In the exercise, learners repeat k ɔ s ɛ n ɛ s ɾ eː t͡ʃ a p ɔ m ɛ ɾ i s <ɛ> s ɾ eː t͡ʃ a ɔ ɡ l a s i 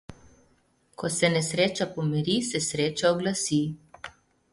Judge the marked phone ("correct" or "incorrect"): correct